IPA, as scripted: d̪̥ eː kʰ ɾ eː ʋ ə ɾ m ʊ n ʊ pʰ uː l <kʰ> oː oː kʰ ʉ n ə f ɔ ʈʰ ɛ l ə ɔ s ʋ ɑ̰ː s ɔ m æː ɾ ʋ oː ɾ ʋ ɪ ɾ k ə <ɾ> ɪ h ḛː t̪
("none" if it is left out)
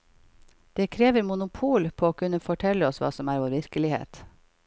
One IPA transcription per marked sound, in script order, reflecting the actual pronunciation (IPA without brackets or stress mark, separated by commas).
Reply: pʰ, l